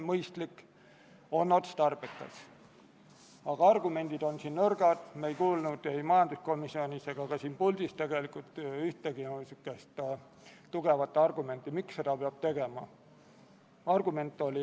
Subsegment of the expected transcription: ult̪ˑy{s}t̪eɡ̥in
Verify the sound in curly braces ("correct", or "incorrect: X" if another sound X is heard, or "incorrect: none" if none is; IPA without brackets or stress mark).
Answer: incorrect: h